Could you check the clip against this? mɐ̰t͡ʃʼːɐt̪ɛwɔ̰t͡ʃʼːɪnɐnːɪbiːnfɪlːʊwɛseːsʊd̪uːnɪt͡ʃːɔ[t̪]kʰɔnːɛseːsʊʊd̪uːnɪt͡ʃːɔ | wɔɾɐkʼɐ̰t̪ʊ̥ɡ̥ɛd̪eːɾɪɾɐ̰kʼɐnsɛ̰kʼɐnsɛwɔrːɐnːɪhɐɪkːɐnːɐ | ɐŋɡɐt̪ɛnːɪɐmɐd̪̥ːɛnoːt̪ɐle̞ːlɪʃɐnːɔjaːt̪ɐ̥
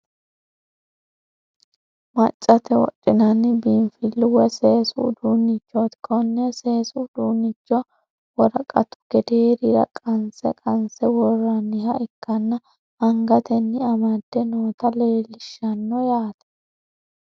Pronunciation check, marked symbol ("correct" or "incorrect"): correct